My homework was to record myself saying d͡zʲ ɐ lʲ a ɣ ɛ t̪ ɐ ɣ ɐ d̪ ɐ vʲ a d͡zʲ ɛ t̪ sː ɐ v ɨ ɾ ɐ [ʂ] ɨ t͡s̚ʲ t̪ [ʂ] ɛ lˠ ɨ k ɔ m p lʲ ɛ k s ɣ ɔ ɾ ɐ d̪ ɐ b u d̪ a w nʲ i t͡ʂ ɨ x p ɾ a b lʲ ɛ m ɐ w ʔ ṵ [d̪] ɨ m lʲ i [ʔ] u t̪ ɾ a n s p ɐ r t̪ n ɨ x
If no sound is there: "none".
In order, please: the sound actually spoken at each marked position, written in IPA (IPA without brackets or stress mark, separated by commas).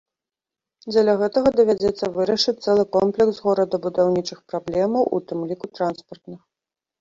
ʂ, s, t̪, k